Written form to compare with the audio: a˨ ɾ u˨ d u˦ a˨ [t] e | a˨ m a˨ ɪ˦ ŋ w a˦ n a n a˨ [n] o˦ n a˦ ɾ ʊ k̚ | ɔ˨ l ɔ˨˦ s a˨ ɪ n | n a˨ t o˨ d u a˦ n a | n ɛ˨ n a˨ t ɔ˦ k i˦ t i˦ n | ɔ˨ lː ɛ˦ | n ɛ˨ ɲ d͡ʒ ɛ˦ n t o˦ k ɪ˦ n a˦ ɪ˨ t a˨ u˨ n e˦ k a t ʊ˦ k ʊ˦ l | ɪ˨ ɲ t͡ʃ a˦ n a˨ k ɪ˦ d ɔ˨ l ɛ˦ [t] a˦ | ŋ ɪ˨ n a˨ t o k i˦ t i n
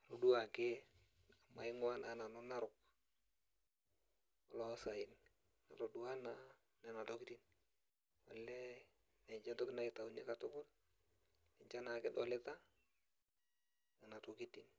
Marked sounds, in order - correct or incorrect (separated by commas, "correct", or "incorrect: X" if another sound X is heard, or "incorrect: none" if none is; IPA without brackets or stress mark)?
incorrect: k, correct, correct